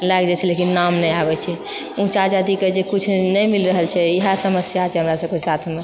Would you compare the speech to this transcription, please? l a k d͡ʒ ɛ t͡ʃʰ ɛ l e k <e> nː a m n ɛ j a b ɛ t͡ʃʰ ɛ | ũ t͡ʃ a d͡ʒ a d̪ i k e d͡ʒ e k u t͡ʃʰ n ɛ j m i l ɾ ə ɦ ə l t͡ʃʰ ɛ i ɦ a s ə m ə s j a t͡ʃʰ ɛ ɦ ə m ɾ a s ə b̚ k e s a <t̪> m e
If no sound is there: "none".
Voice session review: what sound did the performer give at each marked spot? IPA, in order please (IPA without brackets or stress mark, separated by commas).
i, t̪ʰ